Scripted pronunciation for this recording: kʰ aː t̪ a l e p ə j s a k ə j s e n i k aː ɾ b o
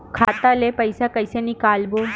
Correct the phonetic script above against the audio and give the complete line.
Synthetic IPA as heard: kʰ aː t̪ a l e p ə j s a k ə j s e n i k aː l b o